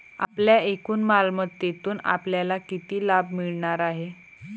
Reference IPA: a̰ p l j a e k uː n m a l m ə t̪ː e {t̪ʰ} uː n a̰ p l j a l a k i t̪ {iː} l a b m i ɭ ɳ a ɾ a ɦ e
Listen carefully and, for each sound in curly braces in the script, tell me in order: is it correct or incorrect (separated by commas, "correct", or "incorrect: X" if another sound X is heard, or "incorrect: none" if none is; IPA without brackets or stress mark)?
incorrect: t̪, correct